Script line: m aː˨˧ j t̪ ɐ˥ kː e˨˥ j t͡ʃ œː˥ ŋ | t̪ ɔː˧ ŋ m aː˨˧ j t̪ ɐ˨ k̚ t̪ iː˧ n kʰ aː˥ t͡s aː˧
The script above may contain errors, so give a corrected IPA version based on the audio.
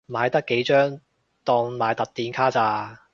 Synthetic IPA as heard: m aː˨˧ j t̪ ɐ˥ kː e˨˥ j t͡ʃ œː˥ ŋ | t̪ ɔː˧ ŋ m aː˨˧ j t̪ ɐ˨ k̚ t̪ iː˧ n kʰ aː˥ t͡s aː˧